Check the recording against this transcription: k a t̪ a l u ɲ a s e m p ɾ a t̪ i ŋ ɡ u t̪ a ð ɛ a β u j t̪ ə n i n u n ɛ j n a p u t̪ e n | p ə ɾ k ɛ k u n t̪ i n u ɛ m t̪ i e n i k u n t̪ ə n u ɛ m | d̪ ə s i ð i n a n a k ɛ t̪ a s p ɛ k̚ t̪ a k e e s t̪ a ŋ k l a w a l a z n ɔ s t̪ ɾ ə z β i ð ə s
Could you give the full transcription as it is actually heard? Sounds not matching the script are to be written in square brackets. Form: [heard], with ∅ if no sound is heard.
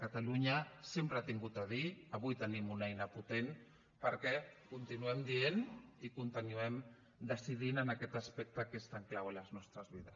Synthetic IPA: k a t̪ a l u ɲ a s e m p ɾ a t̪ i ŋ ɡ u t̪ a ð [i] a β u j t̪ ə n i [m] u n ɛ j n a p u t̪ e n | p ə ɾ k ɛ k u n t̪ i n u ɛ m [d̪] i e n i k u n t̪ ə n u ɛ m | d̪ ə s i ð i n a n a k ɛ t̪ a s p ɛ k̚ t̪ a k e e s t̪ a ŋ k l a w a l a z n ɔ s t̪ ɾ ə z β i ð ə s